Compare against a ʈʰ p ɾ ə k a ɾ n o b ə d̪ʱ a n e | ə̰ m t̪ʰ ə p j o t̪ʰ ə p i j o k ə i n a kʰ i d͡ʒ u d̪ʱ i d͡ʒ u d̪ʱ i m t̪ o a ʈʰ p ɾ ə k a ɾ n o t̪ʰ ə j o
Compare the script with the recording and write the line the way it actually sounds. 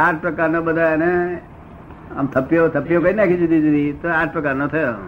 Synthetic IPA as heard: a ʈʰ p ɾ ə k a ɾ n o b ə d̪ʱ a n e | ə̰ m t̪ʰ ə p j o t̪ʰ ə p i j o k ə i n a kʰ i d͡ʒ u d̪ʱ i d͡ʒ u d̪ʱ i t̪ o a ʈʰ p ɾ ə k a ɾ n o t̪ʰ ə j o